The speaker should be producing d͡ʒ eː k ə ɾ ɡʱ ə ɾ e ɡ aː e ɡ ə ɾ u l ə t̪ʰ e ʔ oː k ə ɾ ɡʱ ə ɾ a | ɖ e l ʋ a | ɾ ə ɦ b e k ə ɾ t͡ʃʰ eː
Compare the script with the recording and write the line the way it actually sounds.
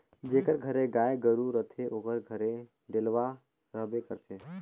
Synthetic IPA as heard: d͡ʒ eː k ə ɾ ɡʱ ə ɾ e ɡ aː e ɡ ə ɾ u ɾ ə t̪ʰ e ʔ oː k ə ɾ ɡʱ ə ɾ e | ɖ e l ʋ a | ɾ ə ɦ b e k ə ɾ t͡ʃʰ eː